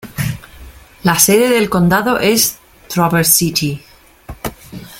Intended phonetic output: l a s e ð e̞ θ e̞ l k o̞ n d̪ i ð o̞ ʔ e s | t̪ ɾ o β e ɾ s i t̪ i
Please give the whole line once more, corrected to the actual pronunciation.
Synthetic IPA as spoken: l a s e ð e̞ ð e̞ l k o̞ n d̪ a ð o̞ ʔ e s | t̪ ɾ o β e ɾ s i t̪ i